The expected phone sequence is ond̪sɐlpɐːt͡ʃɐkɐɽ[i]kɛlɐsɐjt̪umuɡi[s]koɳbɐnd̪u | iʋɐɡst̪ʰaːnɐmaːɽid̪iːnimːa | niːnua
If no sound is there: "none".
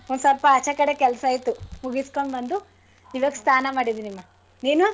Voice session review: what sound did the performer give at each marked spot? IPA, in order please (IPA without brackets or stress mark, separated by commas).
e, s